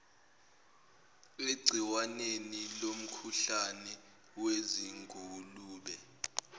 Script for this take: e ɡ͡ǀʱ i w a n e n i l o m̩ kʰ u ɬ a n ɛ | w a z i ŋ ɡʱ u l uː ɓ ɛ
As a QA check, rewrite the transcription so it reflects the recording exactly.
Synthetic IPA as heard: e ɡ͡ǀʱ i w a n e n i l o m̩ kʰ u ɬ a n ɛ | w e z i ŋ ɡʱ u l uː ɓ ɛ